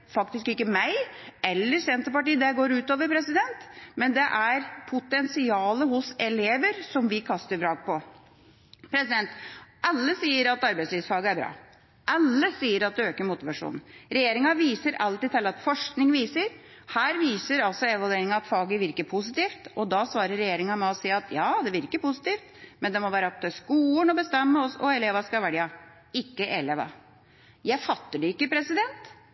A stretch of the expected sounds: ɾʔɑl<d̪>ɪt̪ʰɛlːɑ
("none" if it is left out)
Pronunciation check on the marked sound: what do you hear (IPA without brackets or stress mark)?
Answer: t̪